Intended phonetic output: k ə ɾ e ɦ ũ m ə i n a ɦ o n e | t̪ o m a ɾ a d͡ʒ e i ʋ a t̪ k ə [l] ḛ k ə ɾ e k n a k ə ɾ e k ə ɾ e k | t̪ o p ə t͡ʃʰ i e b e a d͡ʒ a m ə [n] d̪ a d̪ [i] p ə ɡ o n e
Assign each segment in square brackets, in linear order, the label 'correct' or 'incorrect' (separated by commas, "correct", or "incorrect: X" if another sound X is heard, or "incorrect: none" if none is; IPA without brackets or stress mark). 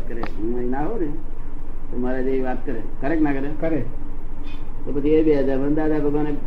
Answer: incorrect: ɾ, correct, incorrect: a